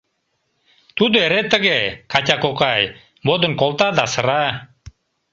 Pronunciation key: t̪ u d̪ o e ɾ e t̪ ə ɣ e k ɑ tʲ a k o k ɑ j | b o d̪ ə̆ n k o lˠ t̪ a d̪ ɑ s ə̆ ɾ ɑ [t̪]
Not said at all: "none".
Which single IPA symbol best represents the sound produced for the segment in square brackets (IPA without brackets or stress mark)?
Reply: none